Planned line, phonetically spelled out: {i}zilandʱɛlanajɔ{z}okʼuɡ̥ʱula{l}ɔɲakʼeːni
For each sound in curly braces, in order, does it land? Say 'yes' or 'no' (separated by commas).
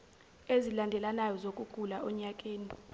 no, yes, no